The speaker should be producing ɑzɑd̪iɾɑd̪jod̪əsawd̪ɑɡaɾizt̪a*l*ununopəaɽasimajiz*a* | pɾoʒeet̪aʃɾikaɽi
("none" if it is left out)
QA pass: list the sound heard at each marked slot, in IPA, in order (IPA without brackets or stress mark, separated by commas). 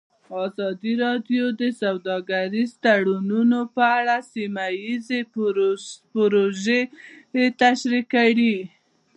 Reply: ɽ, e